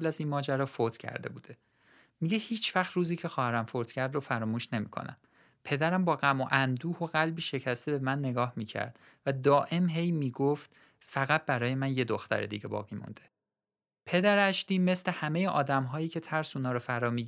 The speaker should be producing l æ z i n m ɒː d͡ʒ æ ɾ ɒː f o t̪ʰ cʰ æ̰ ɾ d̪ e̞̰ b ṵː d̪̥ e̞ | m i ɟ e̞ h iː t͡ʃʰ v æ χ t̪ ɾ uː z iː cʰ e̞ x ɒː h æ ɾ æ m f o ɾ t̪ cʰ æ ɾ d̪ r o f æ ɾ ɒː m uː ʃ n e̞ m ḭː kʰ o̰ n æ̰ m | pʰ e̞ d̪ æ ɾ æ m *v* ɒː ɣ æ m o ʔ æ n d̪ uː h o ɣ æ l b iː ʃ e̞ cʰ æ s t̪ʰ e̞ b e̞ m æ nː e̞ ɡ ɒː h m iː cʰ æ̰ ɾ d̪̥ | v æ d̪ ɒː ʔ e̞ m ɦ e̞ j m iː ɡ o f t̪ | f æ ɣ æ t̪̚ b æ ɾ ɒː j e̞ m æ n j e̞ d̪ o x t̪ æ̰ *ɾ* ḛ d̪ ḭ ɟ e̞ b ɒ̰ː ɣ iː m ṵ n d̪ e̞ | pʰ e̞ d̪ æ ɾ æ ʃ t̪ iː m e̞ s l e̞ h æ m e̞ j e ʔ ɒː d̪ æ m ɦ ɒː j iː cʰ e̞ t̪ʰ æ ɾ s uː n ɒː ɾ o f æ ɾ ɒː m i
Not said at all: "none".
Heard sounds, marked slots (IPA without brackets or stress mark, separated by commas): b, ɾ